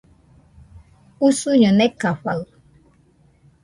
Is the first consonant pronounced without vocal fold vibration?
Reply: yes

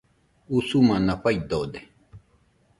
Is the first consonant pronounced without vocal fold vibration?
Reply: yes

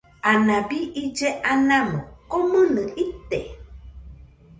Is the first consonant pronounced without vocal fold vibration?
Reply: no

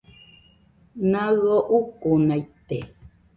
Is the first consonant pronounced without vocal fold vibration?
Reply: no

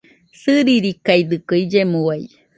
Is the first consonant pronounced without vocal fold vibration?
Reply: yes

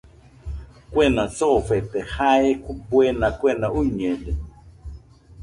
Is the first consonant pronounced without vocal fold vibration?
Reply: yes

